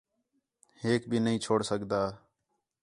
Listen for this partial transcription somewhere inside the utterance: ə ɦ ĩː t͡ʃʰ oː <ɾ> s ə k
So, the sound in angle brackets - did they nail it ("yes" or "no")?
no